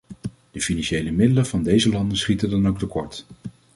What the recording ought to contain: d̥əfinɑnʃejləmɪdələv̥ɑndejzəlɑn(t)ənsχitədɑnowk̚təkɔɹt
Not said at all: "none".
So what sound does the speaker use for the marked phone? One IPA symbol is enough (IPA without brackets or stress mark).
d